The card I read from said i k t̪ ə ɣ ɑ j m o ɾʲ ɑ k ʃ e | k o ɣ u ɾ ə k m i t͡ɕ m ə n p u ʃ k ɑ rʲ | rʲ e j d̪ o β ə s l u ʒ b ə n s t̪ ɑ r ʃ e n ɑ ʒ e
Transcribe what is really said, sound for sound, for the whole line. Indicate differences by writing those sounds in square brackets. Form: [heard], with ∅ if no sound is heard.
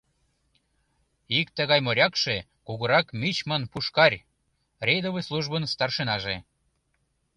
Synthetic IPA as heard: i k t̪ ə ɣ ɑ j m o ɾʲ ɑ k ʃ e | k [u] ɣ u ɾ [ɑ] k m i t͡ɕ m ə n p u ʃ k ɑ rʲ | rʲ e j d̪ o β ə s l u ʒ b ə n s t̪ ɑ r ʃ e n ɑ ʒ e